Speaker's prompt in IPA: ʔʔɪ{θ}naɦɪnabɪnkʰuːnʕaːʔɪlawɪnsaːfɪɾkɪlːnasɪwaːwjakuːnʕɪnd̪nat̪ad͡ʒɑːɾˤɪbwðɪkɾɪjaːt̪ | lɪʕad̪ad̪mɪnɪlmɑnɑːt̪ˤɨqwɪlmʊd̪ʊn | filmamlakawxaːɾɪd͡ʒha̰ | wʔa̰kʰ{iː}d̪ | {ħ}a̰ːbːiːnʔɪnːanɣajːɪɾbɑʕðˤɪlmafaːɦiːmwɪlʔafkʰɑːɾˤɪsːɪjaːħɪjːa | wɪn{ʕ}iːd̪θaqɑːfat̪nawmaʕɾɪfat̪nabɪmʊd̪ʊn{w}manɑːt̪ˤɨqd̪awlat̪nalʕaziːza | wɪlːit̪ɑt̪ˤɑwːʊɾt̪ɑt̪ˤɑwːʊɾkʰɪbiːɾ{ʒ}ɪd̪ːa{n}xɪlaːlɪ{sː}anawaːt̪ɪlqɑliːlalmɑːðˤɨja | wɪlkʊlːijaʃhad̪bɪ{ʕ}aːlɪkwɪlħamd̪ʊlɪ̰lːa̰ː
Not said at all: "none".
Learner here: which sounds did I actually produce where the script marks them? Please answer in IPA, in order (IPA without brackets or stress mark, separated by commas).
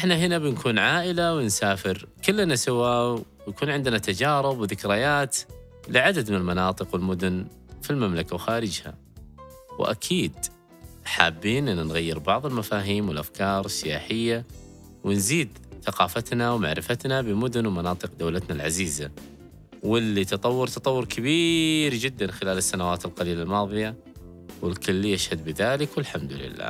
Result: ħ, iː, ħ, z, w, d͡ʒ, n, sː, ð